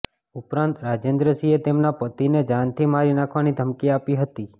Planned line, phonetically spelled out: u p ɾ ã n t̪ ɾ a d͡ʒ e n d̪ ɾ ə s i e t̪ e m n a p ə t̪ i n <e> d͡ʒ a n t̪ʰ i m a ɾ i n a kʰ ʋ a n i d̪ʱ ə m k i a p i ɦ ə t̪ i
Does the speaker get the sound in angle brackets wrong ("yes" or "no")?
no